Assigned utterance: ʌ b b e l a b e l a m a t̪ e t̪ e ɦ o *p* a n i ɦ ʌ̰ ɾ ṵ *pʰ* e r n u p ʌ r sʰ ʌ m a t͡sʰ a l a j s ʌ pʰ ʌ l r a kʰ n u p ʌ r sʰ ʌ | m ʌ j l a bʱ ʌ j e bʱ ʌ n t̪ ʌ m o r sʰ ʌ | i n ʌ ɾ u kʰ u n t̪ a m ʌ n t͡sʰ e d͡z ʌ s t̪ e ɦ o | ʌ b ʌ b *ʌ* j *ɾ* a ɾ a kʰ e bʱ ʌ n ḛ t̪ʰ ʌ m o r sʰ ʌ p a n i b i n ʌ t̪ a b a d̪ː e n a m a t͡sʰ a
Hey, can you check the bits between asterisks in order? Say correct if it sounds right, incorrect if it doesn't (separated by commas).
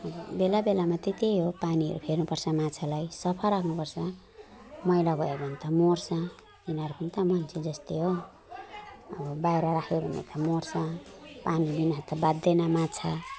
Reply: correct, correct, incorrect, correct